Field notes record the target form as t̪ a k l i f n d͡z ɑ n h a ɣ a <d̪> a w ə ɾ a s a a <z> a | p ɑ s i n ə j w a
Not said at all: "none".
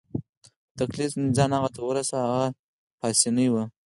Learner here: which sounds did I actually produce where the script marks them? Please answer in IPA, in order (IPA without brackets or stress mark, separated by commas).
t̪, ɣ